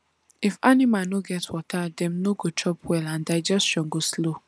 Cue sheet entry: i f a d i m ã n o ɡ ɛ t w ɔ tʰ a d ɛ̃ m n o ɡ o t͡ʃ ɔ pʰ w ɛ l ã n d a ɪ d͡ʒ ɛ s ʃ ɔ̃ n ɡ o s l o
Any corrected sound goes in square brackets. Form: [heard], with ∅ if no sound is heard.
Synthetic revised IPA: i f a [n] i m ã n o ɡ ɛ t w ɔ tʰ a d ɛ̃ m n o ɡ o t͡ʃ ɔ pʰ w ɛ l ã n d a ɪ d͡ʒ ɛ s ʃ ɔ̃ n ɡ o s l o